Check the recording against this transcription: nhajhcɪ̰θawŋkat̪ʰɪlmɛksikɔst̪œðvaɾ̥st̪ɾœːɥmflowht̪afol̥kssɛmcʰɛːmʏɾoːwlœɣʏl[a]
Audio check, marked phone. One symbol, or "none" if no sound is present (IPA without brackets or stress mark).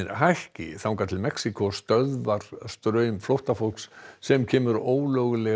ɛ